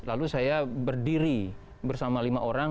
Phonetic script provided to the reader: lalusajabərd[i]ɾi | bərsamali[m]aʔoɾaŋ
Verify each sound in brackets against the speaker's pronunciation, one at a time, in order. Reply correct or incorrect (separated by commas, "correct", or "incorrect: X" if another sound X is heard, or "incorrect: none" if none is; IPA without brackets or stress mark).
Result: correct, correct